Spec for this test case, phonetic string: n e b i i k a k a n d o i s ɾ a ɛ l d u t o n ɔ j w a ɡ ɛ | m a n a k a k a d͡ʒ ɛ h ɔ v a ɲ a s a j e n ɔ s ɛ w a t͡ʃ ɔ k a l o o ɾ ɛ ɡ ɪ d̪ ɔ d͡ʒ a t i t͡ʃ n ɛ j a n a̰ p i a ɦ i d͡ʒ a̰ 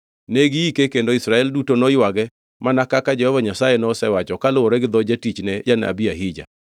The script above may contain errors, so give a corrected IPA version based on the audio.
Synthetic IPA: n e ɡ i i k e k e n d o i s ɾ a ɛ l d u t o n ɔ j w a ɡ ɛ | m a n a k a k a d͡ʒ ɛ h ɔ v a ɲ a s a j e n ɔ s ɛ w a t͡ʃ ɔ k a l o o ɾ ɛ ɡ ɪ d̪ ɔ d͡ʒ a t i t͡ʃ n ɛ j a n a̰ b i a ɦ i d͡ʒ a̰

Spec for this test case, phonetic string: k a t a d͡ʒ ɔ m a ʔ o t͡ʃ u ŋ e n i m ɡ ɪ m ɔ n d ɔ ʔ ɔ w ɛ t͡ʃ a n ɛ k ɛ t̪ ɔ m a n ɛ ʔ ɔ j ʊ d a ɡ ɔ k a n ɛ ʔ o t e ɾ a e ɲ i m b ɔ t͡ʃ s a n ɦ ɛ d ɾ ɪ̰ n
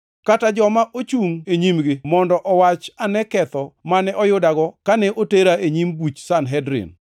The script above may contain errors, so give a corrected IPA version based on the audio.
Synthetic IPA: k a t a d͡ʒ ɔ m a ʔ o t͡ʃ u ŋ e ɲ i m ɡ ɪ m ɔ n d ɔ ʔ ɔ w a t͡ʃ a n ɛ k ɛ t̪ ɔ m a n ɛ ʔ ɔ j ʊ d a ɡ ɔ k a n ɛ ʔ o t e ɾ a e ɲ i m b u t͡ʃ s a n ɦ ɛ d ɾ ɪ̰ n

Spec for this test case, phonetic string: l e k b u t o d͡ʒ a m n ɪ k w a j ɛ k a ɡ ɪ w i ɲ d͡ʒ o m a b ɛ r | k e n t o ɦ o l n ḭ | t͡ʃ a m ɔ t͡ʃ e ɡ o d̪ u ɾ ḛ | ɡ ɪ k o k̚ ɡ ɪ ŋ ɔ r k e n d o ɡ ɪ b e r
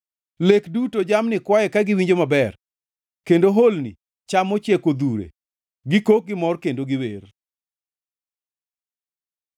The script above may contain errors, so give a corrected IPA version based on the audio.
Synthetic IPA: l e k d u t o d͡ʒ a m n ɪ k w a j ɛ k a ɡ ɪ w i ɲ d͡ʒ o m a b ɛ r | k e n d o ɦ o l n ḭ | t͡ʃ a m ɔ t͡ʃ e k o d̪ u ɾ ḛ | ɡ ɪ k o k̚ ɡ ɪ m ɔ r k e n d o ɡ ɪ w e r

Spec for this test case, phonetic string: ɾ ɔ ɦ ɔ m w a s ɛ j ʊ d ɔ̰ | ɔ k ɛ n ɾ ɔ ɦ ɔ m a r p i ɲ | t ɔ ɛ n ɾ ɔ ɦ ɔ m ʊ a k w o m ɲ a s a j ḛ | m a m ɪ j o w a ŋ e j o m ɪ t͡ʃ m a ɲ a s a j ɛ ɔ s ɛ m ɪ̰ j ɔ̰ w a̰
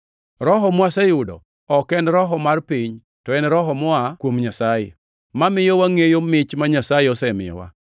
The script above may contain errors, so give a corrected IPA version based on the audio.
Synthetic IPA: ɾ ɔ ɦ ɔ m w a s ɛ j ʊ d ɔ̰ | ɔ k ɛ n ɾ ɔ ɦ ɔ m a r p i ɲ | t ɔ ɛ n ɾ ɔ ɦ ɔ m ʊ a k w o m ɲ a s a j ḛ | m a m ɪ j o w a ŋ e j o m ɪ t͡ʃ m a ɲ a s a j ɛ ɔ s ɛ m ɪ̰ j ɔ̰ w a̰

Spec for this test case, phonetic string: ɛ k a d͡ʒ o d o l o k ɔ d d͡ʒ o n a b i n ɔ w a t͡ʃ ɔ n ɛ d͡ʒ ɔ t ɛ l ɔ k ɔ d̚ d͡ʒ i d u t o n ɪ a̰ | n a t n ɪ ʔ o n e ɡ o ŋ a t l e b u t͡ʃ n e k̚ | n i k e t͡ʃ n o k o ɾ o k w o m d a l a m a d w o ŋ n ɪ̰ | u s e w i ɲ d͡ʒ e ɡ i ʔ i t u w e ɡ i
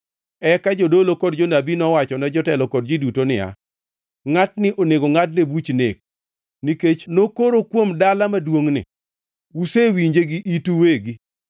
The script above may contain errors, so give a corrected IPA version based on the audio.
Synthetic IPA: ɛ k a d͡ʒ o d o l o k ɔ d d͡ʒ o n a b i n ɔ w a t͡ʃ ɔ n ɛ d͡ʒ ɔ t ɛ l ɔ k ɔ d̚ d͡ʒ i d u t o n ɪ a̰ | ŋ a t n ɪ ʔ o n e ɡ o ŋ a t l e b u t͡ʃ n e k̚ | n i k e t͡ʃ n o k o ɾ o k w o m d a l a m a d w o ŋ n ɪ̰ | u s e w i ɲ d͡ʒ e ɡ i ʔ i t u w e ɡ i

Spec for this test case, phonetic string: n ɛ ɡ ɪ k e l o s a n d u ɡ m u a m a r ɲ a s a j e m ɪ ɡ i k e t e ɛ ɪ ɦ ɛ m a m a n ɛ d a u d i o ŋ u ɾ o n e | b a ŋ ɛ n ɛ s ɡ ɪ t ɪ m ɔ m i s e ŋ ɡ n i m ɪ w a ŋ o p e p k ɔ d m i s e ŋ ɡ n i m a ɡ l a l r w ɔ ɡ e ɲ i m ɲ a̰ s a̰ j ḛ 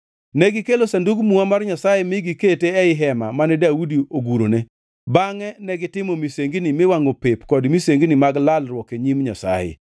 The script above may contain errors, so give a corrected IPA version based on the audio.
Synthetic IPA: n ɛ ɡ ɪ k e l o s a n d u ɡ m u a m a r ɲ a s a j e m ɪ ɡ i k e t e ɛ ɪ ɦ ɛ m a m a n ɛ d a u d i o ɡ u ɾ o n e | b a ŋ ɛ n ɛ ɡ ɪ t ɪ m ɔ m i s e ŋ ɡ n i m ɪ w a ŋ o p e p k ɔ d m i s e ŋ ɡ n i m a ɡ l a l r w ɔ k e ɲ i m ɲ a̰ s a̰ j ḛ

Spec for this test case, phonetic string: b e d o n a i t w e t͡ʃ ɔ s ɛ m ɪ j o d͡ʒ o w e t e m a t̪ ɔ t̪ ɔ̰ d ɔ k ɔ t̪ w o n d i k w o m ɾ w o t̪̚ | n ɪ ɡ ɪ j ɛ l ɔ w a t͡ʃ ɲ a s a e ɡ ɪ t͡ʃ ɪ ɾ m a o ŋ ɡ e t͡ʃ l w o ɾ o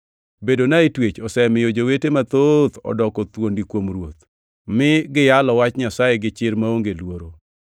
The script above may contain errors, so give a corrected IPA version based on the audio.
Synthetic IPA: b e d o n a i t w e t͡ʃ ɔ s ɛ m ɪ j o d͡ʒ o w e t e m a t̪ o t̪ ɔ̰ d ɔ k ɔ t̪ w o n d i k w o m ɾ w o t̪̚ | m ɪ ɡ ɪ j a l ɔ w a t͡ʃ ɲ a s a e ɡ ɪ t͡ʃ ɪ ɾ m a o ŋ ɡ e l w o ɾ o

